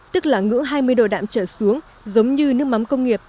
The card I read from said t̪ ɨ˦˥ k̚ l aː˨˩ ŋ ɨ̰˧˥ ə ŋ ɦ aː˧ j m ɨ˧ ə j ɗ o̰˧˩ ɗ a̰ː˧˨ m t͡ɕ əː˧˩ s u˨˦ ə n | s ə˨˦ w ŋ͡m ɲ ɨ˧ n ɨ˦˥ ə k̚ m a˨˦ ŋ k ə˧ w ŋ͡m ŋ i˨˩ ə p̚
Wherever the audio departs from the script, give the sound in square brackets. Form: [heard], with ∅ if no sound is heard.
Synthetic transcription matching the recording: t̪ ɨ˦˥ k̚ l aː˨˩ ŋ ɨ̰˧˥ ə ŋ ɦ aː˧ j m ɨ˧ ə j ɗ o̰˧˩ ɗ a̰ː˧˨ m t͡ɕ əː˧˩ s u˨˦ ə [ŋ] | [z] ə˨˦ w ŋ͡m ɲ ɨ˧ n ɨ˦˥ ə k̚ m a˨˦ [m] k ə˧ w ŋ͡m ŋ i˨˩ ə p̚